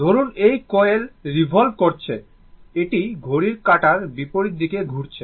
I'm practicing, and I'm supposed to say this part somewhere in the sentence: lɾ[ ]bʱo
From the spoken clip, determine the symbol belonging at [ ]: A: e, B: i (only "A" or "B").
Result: B